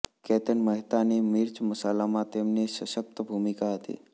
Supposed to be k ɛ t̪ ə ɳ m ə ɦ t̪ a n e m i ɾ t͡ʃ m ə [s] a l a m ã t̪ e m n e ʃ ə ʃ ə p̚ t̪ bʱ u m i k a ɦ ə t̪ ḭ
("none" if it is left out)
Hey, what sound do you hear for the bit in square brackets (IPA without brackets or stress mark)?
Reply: s